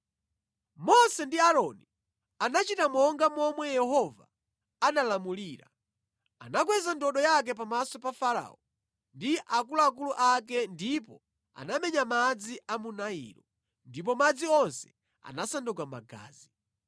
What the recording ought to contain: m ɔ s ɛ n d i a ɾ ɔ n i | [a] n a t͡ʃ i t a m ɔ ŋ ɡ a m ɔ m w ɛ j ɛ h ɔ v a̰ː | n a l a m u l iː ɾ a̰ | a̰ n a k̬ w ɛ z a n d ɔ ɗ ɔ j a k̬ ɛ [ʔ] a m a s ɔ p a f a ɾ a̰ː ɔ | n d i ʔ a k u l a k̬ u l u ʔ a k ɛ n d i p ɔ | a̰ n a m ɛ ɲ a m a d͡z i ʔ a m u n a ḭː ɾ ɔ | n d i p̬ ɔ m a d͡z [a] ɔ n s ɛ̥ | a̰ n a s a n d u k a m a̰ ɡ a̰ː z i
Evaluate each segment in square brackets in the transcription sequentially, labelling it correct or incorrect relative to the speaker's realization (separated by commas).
correct, incorrect, incorrect